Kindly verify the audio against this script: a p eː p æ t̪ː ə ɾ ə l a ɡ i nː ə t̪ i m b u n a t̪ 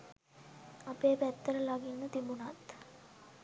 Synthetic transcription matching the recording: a p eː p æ t̪ː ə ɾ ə l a ɡ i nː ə t̪ i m b u n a t̪